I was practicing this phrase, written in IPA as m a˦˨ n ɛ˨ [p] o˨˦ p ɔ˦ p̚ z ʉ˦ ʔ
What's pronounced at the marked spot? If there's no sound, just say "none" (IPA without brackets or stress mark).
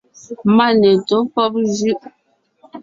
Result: t